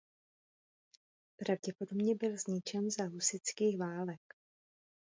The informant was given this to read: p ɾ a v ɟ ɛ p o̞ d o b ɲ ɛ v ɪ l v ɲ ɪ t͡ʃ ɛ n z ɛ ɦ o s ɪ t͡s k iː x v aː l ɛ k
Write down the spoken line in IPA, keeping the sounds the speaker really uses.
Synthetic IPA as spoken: p ɾ a v ɟ ɛ p o̞ d o b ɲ ɛ b ɪ l z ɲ ɪ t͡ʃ ɛ n z a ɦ u s ɪ t͡s k iː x v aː l ɛ k